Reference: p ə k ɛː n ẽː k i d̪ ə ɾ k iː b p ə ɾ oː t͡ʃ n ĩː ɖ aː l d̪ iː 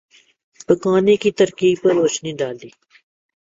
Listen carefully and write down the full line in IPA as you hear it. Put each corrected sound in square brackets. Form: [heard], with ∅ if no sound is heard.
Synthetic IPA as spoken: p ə k [aː] n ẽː k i [t̪] ə ɾ k iː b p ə ɾ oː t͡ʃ n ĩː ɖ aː l d̪ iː